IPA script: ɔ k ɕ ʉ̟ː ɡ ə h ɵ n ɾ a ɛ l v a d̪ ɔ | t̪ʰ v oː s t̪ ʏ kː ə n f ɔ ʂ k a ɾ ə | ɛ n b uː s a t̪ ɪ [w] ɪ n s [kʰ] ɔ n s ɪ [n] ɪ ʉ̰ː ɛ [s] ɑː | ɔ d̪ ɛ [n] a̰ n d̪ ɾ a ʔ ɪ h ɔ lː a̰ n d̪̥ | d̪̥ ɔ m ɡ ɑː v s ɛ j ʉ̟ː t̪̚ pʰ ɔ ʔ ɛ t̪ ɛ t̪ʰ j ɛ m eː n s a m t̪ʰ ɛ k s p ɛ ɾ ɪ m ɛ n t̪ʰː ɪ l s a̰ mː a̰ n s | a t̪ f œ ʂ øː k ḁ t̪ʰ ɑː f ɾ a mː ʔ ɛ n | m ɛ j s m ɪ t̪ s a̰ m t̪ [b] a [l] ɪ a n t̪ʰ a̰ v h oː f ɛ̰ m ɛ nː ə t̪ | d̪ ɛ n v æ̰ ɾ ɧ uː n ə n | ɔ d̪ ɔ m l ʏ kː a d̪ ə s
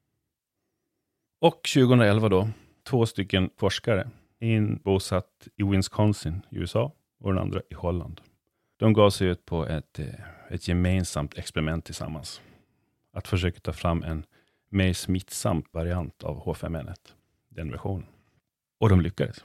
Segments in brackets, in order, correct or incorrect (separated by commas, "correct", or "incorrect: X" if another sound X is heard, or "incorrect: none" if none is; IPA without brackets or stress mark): correct, correct, correct, correct, correct, incorrect: v, incorrect: ɾ